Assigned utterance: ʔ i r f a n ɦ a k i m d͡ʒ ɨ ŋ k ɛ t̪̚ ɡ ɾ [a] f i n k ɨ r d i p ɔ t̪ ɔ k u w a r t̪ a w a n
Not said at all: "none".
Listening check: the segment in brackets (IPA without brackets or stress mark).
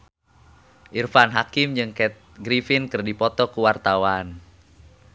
i